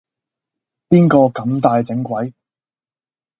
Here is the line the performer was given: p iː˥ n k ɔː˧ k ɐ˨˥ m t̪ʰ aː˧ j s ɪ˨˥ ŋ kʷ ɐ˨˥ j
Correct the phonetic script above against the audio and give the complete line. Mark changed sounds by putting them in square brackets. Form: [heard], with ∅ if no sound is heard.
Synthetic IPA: p iː˥ n k ɔː˧ k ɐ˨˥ m [t̪] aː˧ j [t͡s] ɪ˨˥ ŋ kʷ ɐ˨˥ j